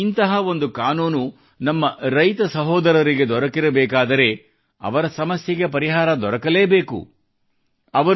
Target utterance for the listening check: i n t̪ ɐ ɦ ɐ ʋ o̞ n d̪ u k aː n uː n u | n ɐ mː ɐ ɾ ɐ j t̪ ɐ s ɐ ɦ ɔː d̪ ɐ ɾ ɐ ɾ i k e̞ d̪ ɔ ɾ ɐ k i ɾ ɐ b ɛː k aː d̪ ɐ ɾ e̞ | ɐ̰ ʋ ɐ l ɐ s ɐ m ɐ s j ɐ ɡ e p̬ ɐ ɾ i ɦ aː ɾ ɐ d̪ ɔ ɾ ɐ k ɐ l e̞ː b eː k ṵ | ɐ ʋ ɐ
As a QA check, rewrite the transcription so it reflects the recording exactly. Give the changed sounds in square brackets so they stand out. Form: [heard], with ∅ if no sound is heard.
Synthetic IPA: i n t̪ ɐ ɦ ɐ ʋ o̞ n d̪ u k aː n uː n u | n ɐ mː ɐ ɾ ɐ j t̪ ɐ s ɐ ɦ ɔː d̪ ɐ ɾ ɐ ɾ i [ɡ] e̞ d̪ ɔ ɾ ɐ k i ɾ ɐ b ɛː k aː d̪ ɐ ɾ e̞ | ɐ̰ ʋ ɐ [ɾ] ɐ s ɐ m ɐ s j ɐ ɡ e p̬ ɐ ɾ i ɦ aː ɾ ɐ d̪ ɔ ɾ ɐ k ɐ l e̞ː b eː k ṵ | ɐ ʋ ɐ